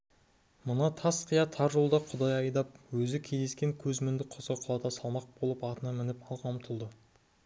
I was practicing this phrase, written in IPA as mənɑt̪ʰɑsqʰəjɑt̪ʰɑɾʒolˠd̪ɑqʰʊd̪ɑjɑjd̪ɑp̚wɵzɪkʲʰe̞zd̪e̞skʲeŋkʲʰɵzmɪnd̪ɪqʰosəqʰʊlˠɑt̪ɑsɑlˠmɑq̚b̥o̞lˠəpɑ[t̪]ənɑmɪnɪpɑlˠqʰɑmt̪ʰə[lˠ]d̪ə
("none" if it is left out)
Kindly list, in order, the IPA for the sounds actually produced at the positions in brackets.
t̪, lˠ

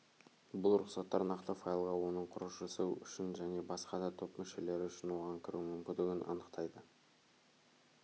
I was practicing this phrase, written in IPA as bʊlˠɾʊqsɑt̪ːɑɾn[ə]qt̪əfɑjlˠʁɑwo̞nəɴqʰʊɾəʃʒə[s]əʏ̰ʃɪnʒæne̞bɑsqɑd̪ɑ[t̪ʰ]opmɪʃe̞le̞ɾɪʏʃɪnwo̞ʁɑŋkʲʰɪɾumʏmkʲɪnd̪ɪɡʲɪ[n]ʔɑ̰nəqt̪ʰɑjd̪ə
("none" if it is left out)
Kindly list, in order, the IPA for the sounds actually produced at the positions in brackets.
ɑ, s, t̪ʰ, n

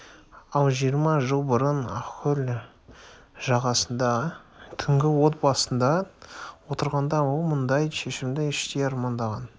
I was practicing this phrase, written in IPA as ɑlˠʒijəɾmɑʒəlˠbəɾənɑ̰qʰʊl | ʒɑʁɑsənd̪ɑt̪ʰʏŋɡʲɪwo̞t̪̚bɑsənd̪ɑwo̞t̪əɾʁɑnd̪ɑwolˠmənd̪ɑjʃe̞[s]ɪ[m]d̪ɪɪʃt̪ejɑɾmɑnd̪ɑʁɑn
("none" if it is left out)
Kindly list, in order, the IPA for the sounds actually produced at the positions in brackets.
ʃ, m

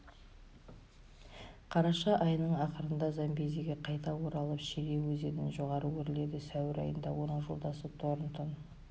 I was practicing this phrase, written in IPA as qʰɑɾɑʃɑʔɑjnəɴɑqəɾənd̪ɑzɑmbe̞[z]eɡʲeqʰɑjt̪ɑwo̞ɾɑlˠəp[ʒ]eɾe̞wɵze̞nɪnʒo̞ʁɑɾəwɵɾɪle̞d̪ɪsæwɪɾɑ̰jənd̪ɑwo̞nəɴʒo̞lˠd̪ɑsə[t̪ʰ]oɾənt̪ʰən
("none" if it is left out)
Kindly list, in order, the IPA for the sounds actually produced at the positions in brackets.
z, ʃ, t̪ʰ

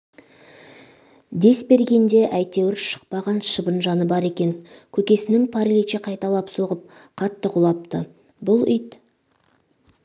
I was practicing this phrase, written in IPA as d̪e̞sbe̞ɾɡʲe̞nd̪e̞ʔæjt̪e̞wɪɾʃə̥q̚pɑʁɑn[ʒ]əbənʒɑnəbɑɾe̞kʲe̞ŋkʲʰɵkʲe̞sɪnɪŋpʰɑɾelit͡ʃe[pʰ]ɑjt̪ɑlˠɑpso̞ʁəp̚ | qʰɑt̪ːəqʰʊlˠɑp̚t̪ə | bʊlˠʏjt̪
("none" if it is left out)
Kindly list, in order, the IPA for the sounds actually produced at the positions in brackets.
ʃ, qʰ

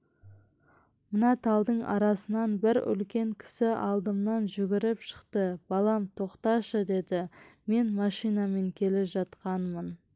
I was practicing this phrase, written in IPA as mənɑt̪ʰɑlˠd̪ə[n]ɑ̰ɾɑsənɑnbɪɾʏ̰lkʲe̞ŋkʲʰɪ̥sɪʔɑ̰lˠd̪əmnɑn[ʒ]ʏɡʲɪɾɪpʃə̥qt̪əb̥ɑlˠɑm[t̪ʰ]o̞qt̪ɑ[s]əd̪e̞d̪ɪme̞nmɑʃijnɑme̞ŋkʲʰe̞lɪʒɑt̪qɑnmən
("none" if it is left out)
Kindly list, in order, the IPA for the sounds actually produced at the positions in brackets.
ɴ, ʒ, t̪ʰ, ʃ

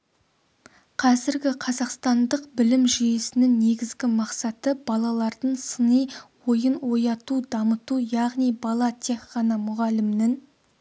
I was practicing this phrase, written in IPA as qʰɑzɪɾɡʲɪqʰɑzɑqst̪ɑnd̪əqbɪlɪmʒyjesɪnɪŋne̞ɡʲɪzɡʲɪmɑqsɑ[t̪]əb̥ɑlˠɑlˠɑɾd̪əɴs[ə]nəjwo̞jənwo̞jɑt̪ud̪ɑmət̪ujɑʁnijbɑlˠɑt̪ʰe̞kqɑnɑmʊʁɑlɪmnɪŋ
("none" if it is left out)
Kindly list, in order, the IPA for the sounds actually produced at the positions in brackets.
t̪, ə

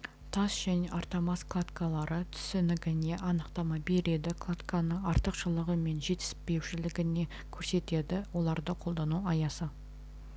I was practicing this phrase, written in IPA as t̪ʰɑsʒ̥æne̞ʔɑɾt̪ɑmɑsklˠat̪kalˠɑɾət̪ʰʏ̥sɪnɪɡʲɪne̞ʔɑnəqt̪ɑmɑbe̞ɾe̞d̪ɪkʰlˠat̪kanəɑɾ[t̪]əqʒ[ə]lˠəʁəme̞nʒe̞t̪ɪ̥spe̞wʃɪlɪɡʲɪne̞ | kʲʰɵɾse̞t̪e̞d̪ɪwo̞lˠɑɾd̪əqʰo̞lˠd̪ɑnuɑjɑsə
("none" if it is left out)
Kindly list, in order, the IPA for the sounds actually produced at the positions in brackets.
t̪, ə

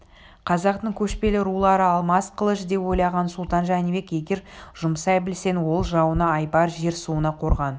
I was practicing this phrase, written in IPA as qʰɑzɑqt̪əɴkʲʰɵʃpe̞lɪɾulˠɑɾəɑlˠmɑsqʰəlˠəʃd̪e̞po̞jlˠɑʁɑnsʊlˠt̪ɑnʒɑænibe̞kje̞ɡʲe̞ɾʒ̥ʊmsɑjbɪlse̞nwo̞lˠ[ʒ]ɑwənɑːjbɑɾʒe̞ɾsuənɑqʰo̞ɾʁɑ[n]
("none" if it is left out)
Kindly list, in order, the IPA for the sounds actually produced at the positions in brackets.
ʒ, n

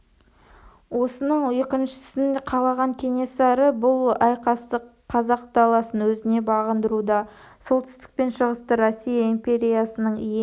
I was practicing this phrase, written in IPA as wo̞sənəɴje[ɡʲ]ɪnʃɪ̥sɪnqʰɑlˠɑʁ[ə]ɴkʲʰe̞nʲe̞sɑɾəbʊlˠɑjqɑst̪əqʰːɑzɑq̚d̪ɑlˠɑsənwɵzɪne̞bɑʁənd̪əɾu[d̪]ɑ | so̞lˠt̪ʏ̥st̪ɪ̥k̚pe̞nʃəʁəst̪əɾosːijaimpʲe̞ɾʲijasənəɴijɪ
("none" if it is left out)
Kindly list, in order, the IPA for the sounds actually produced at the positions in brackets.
kʲ, ɑ, d̪

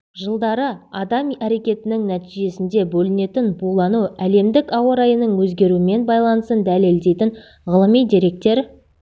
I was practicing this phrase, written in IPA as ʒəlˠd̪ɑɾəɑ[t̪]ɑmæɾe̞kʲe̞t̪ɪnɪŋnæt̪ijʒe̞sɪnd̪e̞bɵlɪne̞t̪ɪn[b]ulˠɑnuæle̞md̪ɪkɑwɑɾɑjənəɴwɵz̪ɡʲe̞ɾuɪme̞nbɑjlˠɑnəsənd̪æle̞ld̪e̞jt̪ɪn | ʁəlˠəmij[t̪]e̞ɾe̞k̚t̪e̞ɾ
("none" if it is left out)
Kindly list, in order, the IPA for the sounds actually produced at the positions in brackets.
d̪, b, d̪

